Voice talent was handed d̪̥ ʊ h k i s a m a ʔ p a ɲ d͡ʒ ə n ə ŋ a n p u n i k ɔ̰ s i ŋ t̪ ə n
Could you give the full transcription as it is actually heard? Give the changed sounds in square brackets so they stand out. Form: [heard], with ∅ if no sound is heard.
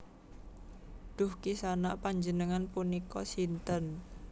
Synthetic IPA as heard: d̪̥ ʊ h k i s a [n] a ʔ p a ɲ d͡ʒ ə n ə ŋ a n p u n i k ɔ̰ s i [n] t̪ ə n

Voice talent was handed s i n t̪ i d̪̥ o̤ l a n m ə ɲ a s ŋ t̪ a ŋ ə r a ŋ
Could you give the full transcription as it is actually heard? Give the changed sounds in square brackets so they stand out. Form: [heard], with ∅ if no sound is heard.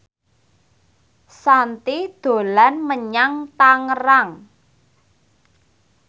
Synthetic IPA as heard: s [a] n t̪ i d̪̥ o̤ l a n m ə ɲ a [∅] ŋ t̪ a ŋ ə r a ŋ

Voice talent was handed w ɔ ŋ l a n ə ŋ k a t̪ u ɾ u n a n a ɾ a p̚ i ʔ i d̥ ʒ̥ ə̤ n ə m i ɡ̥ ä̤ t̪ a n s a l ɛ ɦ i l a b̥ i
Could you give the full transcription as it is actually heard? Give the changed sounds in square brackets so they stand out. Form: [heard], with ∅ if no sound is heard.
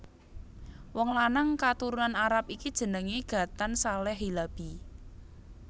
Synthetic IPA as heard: w ɔ ŋ l a n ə ŋ k a t̪ u ɾ u n a n a ɾ a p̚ i [k] i d̥ ʒ̥ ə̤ n ə [ŋ] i ɡ̥ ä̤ t̪ a n s a l ɛ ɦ i l a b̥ i

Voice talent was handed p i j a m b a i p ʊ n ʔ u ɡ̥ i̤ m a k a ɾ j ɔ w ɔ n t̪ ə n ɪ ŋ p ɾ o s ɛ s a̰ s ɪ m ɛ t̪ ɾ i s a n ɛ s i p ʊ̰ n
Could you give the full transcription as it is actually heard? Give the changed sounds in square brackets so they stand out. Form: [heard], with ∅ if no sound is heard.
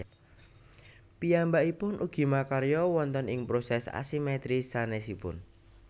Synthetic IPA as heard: p i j a m b a i p ʊ n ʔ u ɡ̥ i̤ m a k a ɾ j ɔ w ɔ n t̪ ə n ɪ ŋ p ɾ o s ɛ s a̰ s [i] m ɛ t̪ ɾ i s a n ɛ s i p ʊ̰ n

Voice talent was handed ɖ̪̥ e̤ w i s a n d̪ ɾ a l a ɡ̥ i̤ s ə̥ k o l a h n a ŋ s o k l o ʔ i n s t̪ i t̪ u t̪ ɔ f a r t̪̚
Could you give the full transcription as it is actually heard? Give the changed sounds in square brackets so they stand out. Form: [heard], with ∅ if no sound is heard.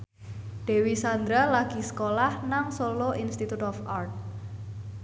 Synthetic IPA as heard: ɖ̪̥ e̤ w i s a n d̪ ɾ a l a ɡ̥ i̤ s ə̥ k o l a h n a ŋ s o [∅] l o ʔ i n s t̪ i t̪ u t̪ ɔ f a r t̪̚

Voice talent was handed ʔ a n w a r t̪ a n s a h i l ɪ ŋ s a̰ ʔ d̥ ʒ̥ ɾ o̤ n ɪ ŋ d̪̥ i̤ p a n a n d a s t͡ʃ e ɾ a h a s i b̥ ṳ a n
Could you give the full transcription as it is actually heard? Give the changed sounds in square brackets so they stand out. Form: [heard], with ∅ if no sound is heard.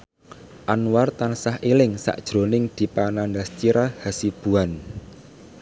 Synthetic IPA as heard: ʔ a n w a r t̪ a n s a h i l ɪ ŋ s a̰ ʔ d̥ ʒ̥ ɾ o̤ n ɪ ŋ d̪̥ i̤ p a n a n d a s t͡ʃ [i] ɾ a h a s i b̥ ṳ a n

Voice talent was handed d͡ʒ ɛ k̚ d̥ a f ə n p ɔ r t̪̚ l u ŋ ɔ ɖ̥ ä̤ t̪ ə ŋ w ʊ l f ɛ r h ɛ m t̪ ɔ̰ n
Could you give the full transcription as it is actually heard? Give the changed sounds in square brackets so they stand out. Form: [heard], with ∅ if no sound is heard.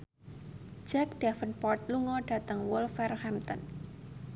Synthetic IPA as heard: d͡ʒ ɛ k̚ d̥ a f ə n p ɔ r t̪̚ l u ŋ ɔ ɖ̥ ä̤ t̪ ə ŋ w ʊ l f ɛ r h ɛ m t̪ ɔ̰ n

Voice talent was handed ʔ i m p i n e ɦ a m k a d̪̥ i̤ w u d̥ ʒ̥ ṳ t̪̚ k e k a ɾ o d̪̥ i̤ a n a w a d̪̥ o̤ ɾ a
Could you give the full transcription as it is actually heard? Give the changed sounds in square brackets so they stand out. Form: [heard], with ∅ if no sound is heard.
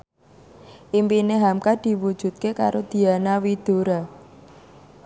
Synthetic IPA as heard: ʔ i m p i n e ɦ a m k a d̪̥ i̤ w u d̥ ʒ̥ ṳ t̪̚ k e k a ɾ o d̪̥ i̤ a n a w [i] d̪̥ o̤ ɾ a

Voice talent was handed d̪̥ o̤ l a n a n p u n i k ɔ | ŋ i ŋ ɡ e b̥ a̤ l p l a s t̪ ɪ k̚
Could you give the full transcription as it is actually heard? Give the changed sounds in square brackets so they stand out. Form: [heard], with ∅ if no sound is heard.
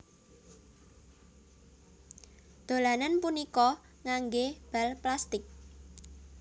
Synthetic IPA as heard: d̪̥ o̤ l a n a n p u n i k ɔ | ŋ [a] ŋ ɡ e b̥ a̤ l p l a s t̪ ɪ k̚

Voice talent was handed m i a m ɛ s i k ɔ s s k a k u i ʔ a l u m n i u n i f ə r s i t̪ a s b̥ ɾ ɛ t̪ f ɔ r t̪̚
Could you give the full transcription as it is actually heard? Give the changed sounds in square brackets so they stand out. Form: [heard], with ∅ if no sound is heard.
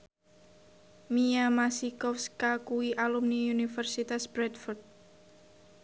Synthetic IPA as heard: m i a m [a] s i k ɔ [f] s k a k u i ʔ a l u m n i u n i f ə r s i t̪ a s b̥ ɾ ɛ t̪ f ɔ r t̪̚

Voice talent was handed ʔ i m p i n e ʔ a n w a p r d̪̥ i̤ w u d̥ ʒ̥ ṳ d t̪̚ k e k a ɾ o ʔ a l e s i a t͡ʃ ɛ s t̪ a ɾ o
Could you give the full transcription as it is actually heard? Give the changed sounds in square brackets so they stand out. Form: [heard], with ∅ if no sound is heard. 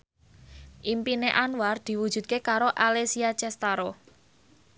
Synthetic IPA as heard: ʔ i m p i n e ʔ a n w a [∅] r d̪̥ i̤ w u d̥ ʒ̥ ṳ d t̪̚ k e k a ɾ o ʔ a l e s i a t͡ʃ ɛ s t̪ a ɾ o

